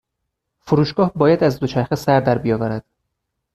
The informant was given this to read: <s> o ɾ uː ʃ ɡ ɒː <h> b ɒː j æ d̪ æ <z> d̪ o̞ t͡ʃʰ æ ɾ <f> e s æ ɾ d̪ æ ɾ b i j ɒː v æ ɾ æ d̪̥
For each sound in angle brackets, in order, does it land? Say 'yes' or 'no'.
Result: no, yes, yes, no

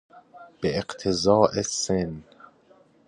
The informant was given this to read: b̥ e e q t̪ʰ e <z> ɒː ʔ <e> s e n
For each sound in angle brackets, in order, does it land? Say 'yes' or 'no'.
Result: yes, yes

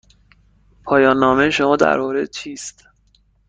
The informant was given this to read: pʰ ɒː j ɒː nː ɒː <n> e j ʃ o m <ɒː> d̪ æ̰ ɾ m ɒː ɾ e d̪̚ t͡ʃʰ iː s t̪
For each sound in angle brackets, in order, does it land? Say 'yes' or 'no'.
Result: no, yes

